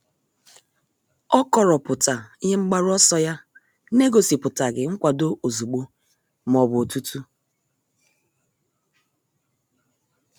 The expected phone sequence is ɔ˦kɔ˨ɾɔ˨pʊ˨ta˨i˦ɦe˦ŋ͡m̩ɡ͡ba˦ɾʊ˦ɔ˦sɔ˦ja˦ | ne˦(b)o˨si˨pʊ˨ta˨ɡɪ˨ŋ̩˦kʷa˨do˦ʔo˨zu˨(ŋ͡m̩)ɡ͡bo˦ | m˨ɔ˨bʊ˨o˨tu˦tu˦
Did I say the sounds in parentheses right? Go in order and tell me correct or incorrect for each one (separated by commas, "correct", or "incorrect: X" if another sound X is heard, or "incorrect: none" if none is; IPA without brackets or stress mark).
incorrect: ɡ, incorrect: none